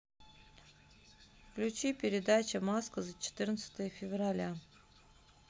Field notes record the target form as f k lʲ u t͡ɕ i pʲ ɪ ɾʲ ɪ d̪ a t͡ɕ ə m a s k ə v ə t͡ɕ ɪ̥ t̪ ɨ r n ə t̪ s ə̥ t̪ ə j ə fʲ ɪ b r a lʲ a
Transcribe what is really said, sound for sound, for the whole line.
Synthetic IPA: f k lʲ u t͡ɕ i pʲ ɪ ɾʲ ɪ d̪ a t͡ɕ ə m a s k ə z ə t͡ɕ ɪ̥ t̪ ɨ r n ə t̪ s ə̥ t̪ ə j ə fʲ ɪ v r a lʲ a